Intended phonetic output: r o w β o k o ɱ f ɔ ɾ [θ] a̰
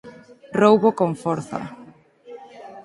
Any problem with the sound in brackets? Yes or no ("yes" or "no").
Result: no